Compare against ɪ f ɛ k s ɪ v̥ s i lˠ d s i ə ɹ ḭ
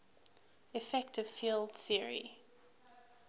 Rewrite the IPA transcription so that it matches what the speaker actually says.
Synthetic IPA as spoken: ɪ f ɛ k t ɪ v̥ f i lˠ d θ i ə ɹ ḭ